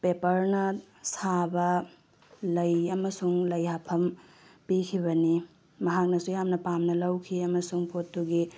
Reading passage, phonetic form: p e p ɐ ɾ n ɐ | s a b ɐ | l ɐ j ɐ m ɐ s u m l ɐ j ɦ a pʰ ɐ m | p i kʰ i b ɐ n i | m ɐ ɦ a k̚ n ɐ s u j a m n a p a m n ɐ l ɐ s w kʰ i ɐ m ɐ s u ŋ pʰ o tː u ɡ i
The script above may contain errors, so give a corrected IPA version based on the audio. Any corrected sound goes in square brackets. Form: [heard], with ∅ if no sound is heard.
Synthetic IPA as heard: p e p ɐ ɾ n ɐ | s a b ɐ | l ɐ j ɐ m ɐ s u [ŋ] l ɐ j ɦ a pʰ ɐ m | p i kʰ i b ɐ n i | m ɐ ɦ a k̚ n ɐ s u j a m n [ɐ] p a m n ɐ l ɐ [∅] w kʰ i ɐ m ɐ s u ŋ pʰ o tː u ɡ i